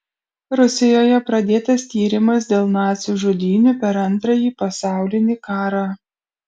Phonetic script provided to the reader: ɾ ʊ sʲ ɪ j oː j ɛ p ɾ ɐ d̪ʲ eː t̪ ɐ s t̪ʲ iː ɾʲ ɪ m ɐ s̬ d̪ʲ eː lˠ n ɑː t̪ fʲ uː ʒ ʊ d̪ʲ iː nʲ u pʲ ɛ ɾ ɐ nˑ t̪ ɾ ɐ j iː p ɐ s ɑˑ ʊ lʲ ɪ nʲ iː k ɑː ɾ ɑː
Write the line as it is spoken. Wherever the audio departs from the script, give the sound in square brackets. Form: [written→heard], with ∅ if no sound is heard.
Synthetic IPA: ɾ ʊ sʲ ɪ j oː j ɛ p ɾ ɐ d̪ʲ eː t̪ ɐ s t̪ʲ iː ɾʲ ɪ m ɐ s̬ d̪ʲ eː lˠ n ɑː t̪ [fʲ→sʲ] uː ʒ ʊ d̪ʲ iː nʲ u pʲ ɛ ɾ ɐ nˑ t̪ ɾ ɐ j iː p ɐ s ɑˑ ʊ lʲ ɪ nʲ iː k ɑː ɾ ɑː